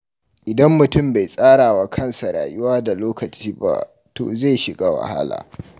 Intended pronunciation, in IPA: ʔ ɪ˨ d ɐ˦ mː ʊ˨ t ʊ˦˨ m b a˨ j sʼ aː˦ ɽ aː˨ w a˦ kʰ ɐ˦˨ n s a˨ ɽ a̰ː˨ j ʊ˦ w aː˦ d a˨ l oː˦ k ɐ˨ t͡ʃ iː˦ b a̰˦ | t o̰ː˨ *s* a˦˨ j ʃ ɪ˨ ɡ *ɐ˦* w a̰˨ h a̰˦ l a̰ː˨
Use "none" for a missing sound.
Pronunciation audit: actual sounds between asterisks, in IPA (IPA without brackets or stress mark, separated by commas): z, a˦